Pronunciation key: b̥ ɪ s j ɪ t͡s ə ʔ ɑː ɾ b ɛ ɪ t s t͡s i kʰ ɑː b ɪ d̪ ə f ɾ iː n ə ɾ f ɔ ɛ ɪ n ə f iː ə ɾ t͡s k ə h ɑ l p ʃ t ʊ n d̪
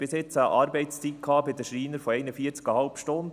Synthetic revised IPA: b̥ ɪ s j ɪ t͡s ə ʔ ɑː ɾ b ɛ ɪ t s t͡s i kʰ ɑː b ɪ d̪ ə ʃ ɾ iː n ə ɾ f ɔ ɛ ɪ n ə f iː ə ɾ t͡s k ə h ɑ l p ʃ t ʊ n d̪